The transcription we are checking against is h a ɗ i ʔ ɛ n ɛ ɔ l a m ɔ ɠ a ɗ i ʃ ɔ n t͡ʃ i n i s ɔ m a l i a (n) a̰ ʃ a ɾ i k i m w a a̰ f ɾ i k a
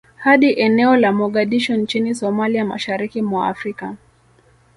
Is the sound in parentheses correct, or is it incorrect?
incorrect